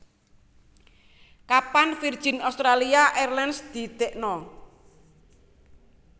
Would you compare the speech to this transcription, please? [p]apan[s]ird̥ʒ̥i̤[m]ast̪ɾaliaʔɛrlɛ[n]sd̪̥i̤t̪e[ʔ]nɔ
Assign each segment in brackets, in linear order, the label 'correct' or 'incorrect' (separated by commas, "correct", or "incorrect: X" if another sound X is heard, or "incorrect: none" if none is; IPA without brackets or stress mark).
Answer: incorrect: k, incorrect: f, incorrect: n, correct, correct